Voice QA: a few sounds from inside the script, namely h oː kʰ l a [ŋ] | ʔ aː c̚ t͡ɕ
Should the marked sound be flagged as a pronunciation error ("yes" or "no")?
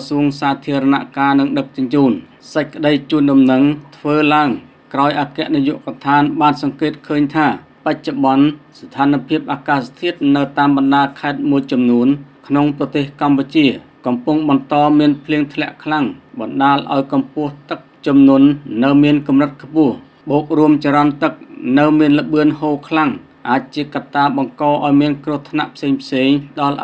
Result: no